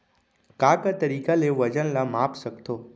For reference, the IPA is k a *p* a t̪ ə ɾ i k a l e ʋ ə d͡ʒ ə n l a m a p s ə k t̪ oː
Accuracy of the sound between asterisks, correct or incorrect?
incorrect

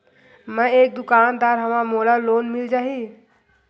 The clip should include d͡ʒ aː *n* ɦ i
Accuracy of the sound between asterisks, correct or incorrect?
incorrect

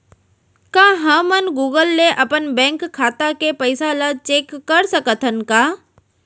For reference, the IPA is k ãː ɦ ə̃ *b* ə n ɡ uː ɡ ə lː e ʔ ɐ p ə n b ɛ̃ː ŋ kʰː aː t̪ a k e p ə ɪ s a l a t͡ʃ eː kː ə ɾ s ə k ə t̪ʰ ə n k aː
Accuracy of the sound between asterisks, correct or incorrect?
incorrect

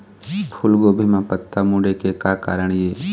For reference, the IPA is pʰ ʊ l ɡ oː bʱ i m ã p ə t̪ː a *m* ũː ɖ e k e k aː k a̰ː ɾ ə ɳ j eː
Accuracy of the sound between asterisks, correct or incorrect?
correct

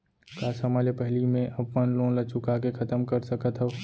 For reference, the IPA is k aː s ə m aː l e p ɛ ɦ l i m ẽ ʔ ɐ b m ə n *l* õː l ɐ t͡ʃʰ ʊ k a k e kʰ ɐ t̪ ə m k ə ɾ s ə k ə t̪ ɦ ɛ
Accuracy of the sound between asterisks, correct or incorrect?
correct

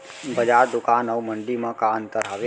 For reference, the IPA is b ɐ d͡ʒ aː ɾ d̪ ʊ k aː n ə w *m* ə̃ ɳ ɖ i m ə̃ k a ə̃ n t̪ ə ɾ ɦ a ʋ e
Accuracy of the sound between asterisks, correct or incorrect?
correct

